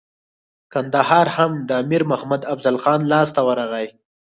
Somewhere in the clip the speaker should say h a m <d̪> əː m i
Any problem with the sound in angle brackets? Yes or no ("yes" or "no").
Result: no